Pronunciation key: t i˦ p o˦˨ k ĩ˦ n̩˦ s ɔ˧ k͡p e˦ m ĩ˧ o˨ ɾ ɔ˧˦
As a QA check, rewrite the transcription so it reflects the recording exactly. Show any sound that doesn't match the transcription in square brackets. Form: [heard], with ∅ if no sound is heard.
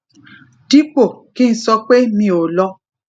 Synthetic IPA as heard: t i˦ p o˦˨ k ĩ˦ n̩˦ s ɔ˧ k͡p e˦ m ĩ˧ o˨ [l] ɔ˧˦